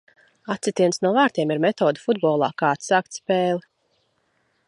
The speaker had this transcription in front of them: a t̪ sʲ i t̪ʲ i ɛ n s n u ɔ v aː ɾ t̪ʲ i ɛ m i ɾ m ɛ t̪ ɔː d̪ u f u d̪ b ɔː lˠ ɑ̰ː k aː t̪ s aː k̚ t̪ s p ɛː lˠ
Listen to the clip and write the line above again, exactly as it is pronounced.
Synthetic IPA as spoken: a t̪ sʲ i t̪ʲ i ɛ n s n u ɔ v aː ɾ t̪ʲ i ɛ m i ɾ m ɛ t̪ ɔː d̪ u f u d̪ b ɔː lˠ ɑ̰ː k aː t̪ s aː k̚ t̪ s p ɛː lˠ